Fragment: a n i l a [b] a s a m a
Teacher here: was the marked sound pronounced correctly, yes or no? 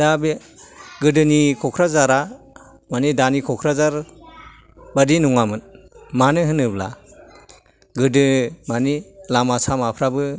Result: no